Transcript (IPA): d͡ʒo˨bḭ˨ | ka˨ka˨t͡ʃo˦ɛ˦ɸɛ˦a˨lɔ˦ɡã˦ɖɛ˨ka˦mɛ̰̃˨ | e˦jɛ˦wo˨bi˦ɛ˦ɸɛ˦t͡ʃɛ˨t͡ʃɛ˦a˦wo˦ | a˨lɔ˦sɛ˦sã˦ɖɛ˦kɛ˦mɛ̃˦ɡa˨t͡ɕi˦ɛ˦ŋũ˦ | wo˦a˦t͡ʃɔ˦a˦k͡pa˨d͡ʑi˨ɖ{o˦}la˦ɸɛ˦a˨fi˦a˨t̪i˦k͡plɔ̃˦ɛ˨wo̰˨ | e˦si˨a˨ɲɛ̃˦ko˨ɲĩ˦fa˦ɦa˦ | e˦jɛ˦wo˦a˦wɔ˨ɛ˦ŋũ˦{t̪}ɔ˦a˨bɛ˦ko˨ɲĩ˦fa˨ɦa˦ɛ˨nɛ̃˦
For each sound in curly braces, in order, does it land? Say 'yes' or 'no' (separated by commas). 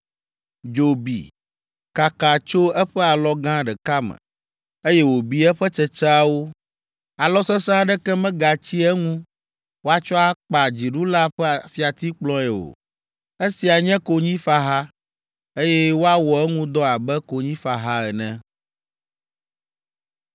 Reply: no, no